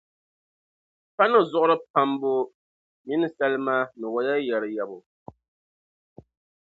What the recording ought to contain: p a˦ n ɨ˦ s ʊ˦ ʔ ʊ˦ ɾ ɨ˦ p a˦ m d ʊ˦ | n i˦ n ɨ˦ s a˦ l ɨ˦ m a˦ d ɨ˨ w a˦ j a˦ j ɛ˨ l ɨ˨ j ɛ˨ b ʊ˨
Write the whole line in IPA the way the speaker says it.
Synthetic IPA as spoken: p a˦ n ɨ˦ z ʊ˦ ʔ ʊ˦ ɾ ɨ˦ p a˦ m b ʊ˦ | m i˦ n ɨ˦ s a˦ l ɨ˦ m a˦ n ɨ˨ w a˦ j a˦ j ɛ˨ ɾ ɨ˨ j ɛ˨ b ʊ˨